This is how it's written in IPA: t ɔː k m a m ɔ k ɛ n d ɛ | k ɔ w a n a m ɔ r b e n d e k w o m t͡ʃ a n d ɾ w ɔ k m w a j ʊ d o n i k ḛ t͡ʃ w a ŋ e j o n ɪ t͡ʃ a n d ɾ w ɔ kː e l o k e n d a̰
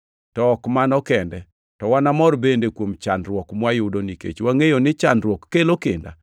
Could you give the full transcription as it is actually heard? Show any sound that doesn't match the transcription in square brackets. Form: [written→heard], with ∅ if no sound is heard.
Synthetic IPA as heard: t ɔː k m a [m→n] ɔ k ɛ n d ɛ | [k→t] ɔ w a n a m ɔ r b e n d e k w o m t͡ʃ a n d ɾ w ɔ k m w a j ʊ d o n i k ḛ t͡ʃ w a ŋ e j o n ɪ t͡ʃ a n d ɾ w ɔ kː e l o k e n d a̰